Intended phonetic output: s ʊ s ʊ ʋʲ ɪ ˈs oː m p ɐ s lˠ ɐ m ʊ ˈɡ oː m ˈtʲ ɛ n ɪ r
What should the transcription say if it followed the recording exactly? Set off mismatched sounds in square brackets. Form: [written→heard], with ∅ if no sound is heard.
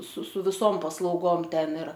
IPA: s ʊ s ʊ ʋʲ ɪ ˈs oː m p ɐ s lˠ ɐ [m→∅] ʊ ˈɡ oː m ˈtʲ ɛ n ɪ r